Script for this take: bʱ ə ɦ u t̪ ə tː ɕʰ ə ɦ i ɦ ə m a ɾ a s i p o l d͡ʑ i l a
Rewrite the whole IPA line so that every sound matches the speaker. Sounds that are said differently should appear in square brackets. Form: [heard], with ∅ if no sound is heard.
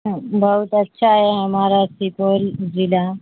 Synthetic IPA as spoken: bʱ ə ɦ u t̪ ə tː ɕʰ [a] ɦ [e] ɦ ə m a ɾ a s i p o l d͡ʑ i l a